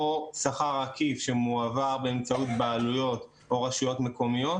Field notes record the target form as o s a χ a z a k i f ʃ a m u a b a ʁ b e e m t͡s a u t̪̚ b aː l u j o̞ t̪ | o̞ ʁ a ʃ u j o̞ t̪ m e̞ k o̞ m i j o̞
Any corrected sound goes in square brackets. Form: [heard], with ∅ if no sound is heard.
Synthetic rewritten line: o s a χ a [ʁ] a k i f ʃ [e] m u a [v] a ʁ b e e m t͡s a u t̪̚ b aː l u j o̞ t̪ | o̞ ʁ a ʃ u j o̞ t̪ m e̞ k o̞ m i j o̞